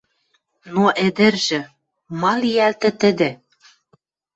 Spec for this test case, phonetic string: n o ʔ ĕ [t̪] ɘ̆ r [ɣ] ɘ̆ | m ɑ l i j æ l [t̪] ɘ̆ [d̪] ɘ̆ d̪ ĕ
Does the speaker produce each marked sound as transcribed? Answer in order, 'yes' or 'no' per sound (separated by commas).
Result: no, no, yes, no